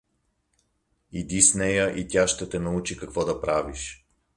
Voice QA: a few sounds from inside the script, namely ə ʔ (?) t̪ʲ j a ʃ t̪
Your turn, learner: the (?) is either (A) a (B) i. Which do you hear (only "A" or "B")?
B